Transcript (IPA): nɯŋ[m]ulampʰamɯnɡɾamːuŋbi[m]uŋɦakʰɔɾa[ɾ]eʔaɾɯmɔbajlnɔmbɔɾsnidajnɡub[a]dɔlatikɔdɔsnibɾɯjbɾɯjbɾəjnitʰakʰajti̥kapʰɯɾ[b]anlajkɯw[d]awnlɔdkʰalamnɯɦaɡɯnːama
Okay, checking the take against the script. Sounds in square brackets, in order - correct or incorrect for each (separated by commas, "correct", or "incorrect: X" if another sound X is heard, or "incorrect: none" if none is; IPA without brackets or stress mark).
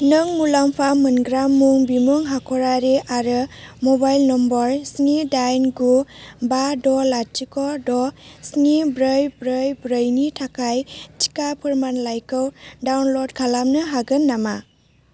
correct, correct, correct, correct, incorrect: m, correct